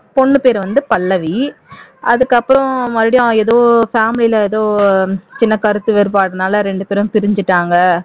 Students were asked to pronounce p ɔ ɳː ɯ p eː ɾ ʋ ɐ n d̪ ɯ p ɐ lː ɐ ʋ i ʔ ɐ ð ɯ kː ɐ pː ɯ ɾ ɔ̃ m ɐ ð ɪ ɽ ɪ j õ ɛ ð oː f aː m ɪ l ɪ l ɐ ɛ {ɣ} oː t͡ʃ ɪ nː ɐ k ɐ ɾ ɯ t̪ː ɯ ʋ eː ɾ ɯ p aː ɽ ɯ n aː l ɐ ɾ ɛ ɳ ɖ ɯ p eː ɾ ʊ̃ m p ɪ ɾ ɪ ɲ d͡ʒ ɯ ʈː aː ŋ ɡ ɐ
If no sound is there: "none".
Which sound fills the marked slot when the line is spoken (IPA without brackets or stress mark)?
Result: ð